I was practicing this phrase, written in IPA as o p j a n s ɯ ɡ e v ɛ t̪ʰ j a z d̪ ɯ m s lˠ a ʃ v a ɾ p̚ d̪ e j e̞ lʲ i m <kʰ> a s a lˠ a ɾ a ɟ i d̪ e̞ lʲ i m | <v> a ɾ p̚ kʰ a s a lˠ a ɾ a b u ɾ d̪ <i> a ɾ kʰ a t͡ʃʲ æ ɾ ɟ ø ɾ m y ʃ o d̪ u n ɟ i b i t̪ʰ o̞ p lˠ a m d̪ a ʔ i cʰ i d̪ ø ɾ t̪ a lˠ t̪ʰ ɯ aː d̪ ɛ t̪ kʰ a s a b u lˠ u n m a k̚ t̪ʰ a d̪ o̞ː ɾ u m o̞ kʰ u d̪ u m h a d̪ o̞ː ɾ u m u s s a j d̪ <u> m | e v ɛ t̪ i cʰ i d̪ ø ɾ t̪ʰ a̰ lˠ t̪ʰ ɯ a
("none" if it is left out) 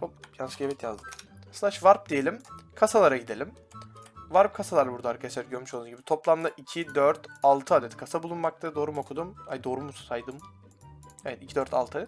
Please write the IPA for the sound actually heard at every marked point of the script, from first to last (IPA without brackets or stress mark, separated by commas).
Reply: kʰ, v, a, ɯ